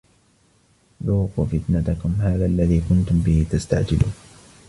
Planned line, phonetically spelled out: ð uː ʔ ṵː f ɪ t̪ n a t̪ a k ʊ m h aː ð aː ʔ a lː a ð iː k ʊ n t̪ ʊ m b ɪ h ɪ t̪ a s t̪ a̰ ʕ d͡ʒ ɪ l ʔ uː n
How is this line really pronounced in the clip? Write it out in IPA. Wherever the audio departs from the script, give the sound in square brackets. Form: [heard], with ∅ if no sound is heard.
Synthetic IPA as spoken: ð uː [q] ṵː f ɪ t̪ n a t̪ a k ʊ m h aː ð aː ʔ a lː a ð iː k ʊ n t̪ ʊ m b ɪ h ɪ t̪ a s t̪ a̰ ʕ d͡ʒ ɪ l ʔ uː n

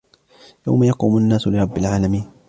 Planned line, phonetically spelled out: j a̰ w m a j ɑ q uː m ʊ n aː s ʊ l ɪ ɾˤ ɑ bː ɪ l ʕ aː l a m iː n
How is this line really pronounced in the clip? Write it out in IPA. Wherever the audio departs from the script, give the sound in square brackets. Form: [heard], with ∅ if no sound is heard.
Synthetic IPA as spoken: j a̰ w m a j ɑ q uː m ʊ [nː] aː s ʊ l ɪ ɾˤ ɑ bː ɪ l ʕ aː l a m iː n

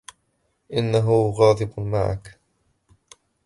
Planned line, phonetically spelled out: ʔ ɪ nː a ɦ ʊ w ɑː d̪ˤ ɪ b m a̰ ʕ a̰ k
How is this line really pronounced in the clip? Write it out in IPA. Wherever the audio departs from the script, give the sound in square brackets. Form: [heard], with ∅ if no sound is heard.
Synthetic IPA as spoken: ʔ ɪ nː a ɦ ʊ [ɣ] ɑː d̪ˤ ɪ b m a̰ ʕ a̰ k

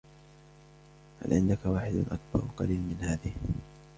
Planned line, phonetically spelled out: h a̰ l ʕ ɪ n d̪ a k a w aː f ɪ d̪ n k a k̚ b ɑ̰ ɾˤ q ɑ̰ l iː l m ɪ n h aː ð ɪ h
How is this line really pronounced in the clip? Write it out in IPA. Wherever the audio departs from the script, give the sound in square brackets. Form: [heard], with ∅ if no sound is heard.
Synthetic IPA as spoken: h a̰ l ʕ ɪ n d̪ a k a w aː [ħ] ɪ d̪ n [ʔ] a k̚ b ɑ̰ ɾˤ q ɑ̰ l iː l m ɪ n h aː ð ɪ h

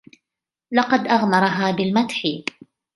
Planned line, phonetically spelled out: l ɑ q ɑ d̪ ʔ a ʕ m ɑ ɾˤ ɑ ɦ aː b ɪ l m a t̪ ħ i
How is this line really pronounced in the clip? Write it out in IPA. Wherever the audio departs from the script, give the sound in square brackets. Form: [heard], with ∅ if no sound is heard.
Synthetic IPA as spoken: l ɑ q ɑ d̪ ʔ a [ɣ] m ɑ ɾˤ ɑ ɦ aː b ɪ l m a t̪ ħ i

